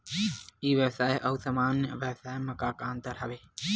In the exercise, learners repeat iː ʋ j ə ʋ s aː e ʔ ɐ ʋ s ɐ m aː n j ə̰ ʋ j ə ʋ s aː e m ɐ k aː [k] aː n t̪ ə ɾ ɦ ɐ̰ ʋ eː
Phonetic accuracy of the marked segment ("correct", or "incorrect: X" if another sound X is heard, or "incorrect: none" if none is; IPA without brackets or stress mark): correct